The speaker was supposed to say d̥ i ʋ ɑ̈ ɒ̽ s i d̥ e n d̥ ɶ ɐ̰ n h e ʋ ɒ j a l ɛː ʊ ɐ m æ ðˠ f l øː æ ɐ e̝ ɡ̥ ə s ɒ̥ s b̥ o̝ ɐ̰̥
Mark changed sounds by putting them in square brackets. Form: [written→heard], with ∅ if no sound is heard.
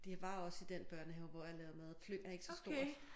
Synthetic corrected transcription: d̥ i ʋ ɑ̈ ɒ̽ s i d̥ e n [d̥→b̥] ɶ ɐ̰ n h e ʋ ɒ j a l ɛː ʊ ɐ m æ ðˠ f l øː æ ɐ e̝ ɡ̥ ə s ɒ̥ s [b̥→d̥] o̝ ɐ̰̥